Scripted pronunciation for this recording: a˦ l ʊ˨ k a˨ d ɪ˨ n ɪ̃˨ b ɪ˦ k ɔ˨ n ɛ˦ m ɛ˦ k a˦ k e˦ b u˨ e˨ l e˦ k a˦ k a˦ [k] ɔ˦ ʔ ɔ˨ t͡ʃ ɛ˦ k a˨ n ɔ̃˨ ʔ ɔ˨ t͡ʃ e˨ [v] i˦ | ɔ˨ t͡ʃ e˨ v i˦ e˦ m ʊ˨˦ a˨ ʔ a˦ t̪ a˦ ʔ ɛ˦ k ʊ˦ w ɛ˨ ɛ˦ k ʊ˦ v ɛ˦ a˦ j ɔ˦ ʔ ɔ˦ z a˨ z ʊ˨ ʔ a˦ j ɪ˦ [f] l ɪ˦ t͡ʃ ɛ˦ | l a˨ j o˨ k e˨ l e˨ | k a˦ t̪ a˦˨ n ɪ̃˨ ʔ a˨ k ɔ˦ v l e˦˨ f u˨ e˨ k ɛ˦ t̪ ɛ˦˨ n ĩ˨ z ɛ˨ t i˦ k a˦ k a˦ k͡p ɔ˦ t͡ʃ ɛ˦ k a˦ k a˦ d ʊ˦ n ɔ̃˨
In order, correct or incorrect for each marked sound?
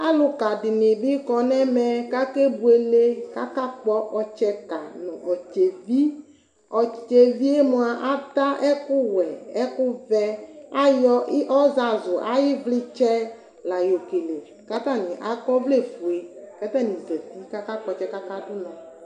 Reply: incorrect: k͡p, correct, incorrect: v

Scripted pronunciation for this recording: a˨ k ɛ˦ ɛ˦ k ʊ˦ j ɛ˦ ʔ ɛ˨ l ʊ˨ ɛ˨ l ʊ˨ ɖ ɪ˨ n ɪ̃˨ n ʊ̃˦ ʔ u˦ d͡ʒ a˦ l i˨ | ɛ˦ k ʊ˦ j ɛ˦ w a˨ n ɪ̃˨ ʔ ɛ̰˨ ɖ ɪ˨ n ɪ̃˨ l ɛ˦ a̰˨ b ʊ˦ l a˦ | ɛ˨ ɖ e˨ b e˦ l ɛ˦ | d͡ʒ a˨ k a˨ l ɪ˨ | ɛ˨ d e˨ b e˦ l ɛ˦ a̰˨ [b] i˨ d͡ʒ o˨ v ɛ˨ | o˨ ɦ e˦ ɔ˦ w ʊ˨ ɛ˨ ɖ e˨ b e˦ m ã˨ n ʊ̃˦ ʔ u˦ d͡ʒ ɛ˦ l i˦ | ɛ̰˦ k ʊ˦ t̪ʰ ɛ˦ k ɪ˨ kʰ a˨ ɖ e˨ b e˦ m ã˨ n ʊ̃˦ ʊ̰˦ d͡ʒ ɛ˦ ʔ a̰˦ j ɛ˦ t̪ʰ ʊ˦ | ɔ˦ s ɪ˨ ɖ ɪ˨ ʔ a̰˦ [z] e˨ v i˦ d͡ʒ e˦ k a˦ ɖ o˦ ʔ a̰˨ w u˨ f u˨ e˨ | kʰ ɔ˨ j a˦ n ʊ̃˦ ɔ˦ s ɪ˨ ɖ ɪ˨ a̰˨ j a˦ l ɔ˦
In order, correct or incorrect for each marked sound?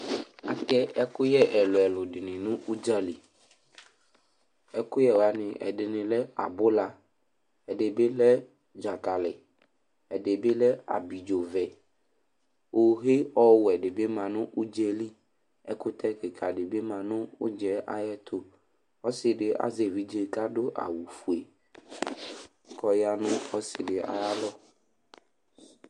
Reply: correct, correct

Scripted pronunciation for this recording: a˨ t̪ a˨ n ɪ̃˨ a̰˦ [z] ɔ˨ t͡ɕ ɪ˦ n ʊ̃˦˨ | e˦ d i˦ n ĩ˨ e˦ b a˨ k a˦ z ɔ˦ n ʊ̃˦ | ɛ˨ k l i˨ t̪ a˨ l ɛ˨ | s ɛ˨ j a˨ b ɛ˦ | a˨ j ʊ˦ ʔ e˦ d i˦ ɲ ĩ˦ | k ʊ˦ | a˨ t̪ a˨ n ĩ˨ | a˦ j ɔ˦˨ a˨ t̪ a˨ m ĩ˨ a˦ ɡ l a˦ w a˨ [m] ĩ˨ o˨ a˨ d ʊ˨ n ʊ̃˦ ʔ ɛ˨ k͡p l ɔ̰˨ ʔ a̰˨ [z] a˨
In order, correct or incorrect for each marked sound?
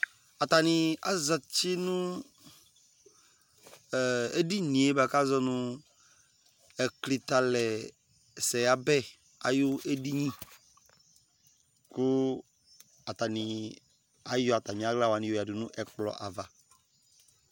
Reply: correct, incorrect: n, incorrect: v

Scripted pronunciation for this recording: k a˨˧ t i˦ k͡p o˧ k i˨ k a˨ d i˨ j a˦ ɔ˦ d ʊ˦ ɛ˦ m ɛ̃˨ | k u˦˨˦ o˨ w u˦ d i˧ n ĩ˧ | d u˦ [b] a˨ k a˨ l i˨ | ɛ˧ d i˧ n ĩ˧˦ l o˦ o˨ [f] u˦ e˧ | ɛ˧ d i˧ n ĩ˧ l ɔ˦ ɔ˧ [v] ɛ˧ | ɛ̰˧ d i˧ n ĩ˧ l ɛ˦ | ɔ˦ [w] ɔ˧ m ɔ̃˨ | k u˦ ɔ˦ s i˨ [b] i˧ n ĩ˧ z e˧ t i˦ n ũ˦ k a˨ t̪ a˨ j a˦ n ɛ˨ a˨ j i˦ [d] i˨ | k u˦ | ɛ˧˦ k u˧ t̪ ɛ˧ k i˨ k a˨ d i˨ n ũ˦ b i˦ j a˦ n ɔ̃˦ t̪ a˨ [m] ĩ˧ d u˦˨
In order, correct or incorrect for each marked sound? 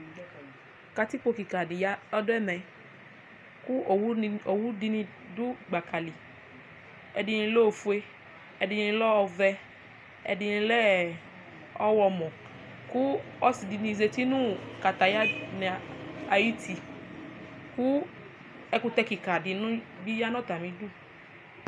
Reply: incorrect: ɡ͡b, correct, correct, correct, incorrect: d, incorrect: t, correct

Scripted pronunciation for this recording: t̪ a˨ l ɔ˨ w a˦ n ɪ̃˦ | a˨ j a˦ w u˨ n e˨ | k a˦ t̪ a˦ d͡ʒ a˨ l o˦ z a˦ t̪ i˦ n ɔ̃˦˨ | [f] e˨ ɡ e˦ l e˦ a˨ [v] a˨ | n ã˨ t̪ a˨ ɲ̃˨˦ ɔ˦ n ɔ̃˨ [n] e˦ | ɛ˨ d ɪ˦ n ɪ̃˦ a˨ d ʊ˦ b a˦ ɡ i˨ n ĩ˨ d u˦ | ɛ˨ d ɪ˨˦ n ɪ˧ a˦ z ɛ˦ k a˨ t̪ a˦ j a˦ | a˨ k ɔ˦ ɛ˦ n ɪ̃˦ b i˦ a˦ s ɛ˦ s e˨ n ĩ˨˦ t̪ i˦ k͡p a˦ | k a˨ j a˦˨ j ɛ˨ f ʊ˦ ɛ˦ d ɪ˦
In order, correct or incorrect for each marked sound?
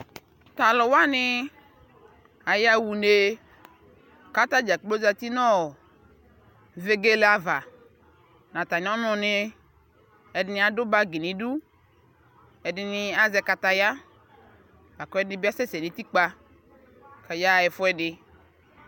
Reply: incorrect: v, correct, correct

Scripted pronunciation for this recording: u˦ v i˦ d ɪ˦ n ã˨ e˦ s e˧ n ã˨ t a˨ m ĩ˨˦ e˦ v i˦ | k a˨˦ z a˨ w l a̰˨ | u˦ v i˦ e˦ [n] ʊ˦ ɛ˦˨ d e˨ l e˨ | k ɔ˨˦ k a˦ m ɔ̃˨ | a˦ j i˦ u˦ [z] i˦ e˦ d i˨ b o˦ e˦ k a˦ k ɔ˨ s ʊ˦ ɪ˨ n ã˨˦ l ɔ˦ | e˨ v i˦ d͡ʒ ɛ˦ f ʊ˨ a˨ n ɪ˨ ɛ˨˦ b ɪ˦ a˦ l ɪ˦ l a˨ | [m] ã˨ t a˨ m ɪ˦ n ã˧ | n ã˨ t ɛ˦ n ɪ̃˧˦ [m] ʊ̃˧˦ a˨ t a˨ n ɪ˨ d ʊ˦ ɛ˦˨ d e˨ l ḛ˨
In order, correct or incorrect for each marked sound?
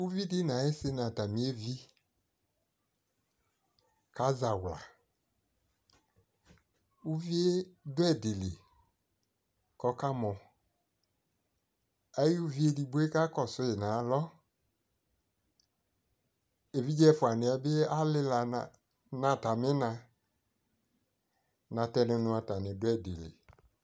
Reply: incorrect: d, incorrect: v, incorrect: n, incorrect: n

